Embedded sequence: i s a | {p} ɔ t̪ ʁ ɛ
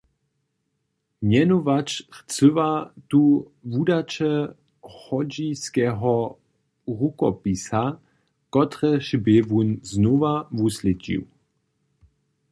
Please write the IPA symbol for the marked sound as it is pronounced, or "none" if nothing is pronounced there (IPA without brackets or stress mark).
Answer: k